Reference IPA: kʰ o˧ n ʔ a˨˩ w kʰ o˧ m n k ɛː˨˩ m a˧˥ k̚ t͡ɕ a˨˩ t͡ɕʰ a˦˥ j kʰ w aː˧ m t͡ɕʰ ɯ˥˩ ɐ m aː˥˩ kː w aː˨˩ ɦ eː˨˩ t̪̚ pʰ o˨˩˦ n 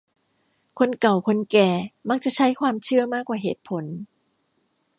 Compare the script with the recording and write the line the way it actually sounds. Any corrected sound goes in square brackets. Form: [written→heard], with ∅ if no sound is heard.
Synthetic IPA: kʰ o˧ n [ʔ→k] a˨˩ w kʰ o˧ [m→∅] n k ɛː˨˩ m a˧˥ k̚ t͡ɕ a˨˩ t͡ɕʰ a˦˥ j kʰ w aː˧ m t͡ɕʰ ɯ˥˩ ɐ m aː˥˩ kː w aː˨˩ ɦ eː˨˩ t̪̚ pʰ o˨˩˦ n